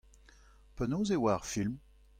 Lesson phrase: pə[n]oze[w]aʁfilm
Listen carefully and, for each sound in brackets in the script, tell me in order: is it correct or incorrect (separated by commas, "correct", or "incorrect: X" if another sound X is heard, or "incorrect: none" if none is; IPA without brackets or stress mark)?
correct, correct